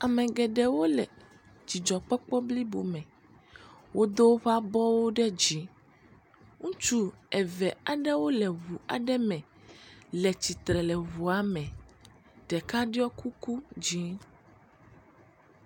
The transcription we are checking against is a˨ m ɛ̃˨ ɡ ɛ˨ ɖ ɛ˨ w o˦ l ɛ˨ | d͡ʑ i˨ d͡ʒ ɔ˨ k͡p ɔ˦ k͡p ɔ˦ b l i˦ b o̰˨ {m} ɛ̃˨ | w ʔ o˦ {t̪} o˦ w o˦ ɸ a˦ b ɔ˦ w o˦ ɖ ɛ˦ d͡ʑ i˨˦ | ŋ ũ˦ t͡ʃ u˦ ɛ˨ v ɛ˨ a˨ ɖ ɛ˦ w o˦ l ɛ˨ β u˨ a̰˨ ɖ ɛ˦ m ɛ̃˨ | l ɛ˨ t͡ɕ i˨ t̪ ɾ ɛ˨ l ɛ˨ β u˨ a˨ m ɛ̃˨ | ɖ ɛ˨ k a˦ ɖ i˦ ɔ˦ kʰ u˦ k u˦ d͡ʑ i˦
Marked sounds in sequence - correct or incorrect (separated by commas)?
correct, incorrect